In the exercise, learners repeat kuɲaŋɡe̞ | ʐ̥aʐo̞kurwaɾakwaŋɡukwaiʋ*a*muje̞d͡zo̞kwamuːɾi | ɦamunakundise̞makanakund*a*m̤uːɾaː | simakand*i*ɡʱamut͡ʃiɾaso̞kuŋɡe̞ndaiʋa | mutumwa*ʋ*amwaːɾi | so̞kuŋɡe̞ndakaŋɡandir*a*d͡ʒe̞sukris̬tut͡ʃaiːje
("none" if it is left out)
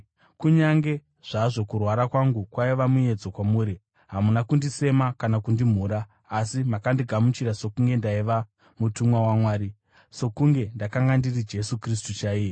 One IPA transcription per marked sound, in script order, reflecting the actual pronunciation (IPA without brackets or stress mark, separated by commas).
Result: a, i, i, w, i